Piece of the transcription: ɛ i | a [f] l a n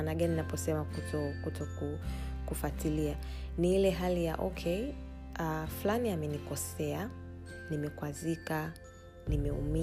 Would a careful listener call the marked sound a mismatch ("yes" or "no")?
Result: no